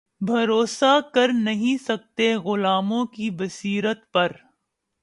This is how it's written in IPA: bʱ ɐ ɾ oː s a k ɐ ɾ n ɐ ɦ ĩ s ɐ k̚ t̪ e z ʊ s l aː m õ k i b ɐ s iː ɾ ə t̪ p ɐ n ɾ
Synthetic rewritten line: bʱ ɐ ɾ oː s a k ɐ ɾ n ɐ ɦ ĩ s ɐ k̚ t̪ e ɣ ʊ l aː m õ k i b ɐ s iː ɾ ə t̪ p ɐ ɾ

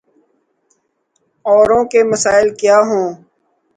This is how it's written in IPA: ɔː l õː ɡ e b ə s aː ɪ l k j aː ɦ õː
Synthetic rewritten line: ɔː ɾ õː k e m ə s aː ɪ l k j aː ɦ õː

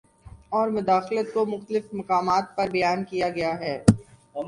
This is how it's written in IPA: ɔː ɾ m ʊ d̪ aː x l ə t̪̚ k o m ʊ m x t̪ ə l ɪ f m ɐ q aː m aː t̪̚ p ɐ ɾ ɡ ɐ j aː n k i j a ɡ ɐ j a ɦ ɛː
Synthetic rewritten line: ɔː ɾ m ʊ d̪ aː x l ə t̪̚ k o m ʊ x t̪ ə l ɪ f m ɐ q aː m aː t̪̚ p ɐ ɾ b ɐ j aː n k i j a ɡ ɐ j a ɦ ɛː

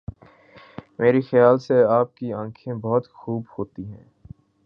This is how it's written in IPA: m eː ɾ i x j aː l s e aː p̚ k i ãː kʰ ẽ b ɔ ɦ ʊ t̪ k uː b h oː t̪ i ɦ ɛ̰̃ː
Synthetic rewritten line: m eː ɾ i x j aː l s e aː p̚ k i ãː kʰ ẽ b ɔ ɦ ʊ t̪ x uː b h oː t̪ i ɦ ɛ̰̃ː

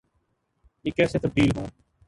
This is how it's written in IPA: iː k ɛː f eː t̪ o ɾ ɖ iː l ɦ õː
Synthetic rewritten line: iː k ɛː s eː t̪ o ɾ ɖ iː l ɦ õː

